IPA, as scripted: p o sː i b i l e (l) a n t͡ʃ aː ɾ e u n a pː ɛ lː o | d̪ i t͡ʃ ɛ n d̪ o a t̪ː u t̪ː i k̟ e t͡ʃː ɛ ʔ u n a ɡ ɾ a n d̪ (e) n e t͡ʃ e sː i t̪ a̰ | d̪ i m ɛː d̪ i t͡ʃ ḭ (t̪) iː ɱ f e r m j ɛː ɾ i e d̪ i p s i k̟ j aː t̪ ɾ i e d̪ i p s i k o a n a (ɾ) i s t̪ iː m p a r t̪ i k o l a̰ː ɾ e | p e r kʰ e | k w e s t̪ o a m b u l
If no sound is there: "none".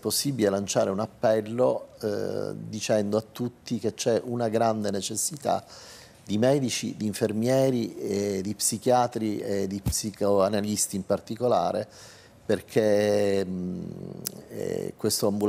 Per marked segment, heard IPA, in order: l, e, d̪, l

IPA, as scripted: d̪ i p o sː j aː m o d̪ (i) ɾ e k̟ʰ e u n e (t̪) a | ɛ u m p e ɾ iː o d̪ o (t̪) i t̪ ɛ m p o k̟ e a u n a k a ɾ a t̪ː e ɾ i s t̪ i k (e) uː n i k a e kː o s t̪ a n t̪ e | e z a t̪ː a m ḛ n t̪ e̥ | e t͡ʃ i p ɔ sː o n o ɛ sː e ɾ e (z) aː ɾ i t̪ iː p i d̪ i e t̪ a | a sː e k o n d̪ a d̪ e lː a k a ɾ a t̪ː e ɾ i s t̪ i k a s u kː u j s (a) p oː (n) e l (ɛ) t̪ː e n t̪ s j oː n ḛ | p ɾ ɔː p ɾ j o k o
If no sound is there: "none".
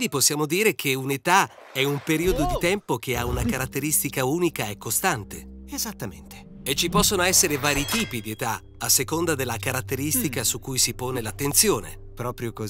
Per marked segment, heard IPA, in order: iː, t̪, d̪, a, v, i, n, a

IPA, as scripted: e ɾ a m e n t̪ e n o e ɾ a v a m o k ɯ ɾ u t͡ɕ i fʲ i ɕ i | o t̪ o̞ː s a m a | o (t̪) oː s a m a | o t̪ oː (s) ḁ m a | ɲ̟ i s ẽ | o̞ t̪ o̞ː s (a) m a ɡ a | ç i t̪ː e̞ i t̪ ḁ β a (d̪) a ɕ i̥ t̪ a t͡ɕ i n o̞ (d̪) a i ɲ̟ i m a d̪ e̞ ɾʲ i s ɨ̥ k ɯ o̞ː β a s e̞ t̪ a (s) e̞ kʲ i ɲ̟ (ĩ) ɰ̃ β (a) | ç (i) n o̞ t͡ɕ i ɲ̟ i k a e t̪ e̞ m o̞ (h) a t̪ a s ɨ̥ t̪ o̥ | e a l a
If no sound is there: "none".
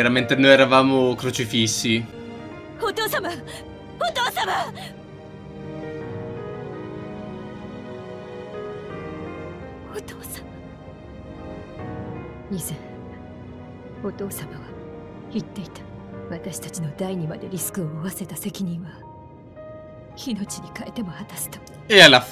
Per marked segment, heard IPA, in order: t̪, s, a, t̪, d̪, s, ĩ, a, i, h

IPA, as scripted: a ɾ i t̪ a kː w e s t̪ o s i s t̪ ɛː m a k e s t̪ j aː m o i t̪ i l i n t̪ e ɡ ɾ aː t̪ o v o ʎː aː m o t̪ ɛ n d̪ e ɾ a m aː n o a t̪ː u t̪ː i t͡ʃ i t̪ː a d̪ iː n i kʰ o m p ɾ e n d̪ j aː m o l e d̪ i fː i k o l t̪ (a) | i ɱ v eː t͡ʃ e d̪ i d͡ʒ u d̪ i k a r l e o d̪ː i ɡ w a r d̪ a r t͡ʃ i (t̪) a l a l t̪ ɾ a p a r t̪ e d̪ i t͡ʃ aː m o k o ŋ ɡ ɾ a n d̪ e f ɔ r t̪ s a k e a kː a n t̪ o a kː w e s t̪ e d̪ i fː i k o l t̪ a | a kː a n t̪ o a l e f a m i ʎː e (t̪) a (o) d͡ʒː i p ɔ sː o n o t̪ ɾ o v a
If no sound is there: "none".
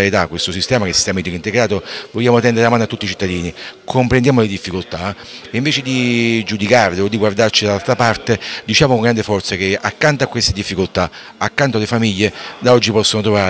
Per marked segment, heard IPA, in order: a, d̪, d̪, ɔ

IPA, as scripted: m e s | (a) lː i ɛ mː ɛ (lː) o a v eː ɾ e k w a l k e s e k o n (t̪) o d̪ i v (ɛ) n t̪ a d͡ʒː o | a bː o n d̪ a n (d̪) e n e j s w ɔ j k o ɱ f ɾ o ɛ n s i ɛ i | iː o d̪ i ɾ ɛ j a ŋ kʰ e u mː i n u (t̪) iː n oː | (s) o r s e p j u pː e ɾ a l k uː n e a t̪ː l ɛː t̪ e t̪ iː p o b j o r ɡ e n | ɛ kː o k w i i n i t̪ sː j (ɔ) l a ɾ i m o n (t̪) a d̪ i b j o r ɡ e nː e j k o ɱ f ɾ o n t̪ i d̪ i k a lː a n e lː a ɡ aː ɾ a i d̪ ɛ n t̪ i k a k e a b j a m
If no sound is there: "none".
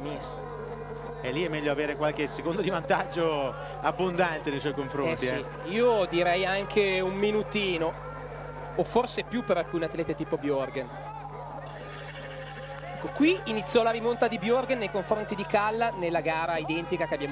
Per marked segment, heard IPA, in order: ɛ, ʎː, d̪, a, t̪, t̪, f, ɔ, t̪

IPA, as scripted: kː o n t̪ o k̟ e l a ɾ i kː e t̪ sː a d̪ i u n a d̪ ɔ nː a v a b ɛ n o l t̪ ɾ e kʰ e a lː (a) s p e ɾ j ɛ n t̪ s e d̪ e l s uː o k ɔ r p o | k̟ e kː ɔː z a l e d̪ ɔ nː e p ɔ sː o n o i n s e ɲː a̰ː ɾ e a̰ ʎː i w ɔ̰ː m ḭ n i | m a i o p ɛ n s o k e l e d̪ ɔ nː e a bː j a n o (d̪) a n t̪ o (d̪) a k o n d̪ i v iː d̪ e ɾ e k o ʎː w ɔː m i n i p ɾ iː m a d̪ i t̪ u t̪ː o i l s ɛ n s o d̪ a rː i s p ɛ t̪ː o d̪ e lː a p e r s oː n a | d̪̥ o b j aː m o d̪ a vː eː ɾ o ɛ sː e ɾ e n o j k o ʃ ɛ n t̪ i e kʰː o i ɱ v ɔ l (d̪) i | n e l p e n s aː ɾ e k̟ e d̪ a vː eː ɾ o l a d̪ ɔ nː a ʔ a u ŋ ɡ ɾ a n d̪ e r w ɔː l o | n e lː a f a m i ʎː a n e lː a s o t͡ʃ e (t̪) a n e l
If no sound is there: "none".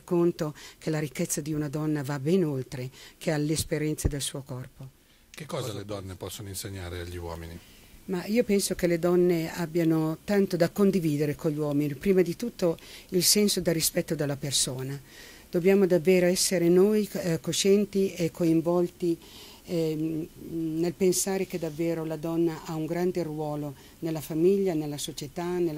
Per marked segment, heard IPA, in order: e, t̪, d̪, t̪, t̪

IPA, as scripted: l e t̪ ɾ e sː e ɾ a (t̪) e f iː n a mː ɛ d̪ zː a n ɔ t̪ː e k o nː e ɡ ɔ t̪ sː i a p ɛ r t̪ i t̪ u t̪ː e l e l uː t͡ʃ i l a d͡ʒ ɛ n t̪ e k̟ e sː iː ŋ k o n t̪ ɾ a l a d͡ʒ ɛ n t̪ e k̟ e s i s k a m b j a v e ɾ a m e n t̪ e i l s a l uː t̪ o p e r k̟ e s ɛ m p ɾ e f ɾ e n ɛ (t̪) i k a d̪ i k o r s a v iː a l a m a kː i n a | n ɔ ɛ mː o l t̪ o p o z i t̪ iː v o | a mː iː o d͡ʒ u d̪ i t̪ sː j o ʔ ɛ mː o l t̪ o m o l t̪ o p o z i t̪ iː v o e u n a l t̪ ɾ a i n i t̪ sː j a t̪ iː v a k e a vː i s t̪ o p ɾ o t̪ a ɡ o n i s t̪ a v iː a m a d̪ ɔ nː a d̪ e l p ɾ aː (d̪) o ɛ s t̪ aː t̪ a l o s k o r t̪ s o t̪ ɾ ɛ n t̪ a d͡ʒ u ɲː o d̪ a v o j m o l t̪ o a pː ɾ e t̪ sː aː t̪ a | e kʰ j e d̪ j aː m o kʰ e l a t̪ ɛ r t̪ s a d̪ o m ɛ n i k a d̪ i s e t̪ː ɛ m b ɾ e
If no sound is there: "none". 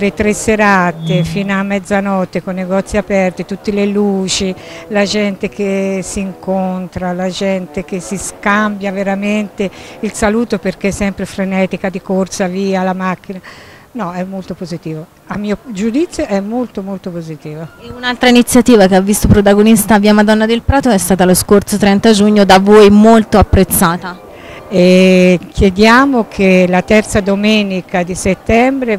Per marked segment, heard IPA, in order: t̪, t̪, t̪

